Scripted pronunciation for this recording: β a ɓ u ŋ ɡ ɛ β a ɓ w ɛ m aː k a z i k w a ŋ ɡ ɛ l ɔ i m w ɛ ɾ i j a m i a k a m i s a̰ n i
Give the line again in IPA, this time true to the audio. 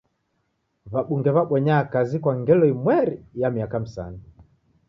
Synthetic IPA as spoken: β a ɓ u ŋ ɡ ɛ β a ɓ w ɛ ɲ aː k a z i k w a ŋ ɡ ɛ l ɔ i m w ɛ ɾ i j a m i a k a m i s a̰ n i